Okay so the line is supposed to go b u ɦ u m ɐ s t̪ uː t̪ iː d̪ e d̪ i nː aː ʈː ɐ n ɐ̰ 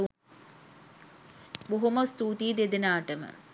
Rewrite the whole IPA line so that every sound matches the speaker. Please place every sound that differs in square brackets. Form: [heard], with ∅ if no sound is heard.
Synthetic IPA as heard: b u ɦ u m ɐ s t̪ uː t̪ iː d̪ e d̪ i [n] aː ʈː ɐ [m] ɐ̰